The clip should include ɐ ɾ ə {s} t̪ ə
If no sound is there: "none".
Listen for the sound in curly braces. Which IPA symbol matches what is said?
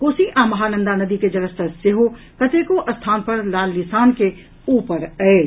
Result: s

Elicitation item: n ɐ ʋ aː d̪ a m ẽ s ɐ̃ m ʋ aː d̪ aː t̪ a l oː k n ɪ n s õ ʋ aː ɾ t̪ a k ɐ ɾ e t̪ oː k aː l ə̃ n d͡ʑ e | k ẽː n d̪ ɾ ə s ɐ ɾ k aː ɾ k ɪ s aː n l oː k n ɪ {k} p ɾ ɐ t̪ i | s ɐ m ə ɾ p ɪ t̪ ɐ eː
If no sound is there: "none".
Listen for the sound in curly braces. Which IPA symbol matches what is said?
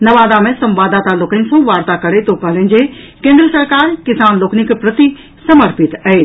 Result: k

